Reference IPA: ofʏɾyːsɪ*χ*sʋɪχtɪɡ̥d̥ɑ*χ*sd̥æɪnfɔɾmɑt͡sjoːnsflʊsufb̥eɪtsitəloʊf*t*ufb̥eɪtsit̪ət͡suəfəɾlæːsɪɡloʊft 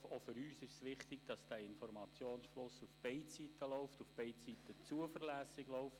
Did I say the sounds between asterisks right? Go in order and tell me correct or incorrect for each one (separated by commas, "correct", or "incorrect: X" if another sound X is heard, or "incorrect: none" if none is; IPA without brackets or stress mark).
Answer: incorrect: ʃ, incorrect: none, correct